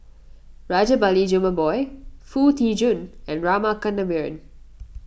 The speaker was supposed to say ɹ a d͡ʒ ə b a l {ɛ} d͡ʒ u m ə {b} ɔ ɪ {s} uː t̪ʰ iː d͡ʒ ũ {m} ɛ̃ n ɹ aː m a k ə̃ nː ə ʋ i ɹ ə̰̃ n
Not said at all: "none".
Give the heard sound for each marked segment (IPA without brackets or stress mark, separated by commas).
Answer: i, b, f, n